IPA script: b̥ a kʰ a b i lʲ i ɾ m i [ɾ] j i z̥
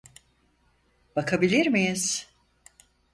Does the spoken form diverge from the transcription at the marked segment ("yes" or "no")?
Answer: yes